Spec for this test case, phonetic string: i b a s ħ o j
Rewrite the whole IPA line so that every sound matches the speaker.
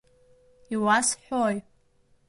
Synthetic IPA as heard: i w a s ħ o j